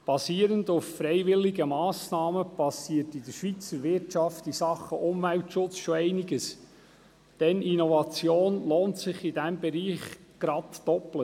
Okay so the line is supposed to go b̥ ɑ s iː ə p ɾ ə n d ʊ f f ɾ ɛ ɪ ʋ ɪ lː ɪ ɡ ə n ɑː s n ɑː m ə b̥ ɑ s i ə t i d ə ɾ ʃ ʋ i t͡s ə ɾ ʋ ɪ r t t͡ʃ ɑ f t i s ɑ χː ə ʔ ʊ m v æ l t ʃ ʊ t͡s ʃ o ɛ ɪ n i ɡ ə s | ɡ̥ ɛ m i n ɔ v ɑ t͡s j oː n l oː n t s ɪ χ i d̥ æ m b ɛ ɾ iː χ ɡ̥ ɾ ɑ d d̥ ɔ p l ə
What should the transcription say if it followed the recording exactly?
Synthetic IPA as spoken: b̥ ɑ s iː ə ɾ ə n d ʊ f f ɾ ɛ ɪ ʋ ɪ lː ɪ ɡ ə m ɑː s n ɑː m ə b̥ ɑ s i ə t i d ə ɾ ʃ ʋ i t͡s ə ɾ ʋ ɪ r t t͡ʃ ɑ f t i s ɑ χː ə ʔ ʊ m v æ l t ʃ ʊ t͡s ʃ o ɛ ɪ n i ɡ ə s | d̥ ɛ n i n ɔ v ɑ t͡s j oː n l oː n t s ɪ χ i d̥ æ m b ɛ ɾ iː χ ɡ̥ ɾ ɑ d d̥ ɔ p l ə